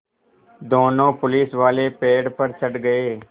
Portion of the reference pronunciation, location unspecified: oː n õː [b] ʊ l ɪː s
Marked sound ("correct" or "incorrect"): incorrect